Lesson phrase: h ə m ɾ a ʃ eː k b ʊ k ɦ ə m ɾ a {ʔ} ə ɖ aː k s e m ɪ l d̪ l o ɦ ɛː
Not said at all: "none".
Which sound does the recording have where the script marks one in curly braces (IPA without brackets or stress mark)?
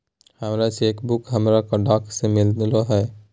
k